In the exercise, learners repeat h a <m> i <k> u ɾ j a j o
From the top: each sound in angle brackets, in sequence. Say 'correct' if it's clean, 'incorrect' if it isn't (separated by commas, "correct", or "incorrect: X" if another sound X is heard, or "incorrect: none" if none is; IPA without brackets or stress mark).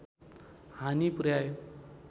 incorrect: n, incorrect: p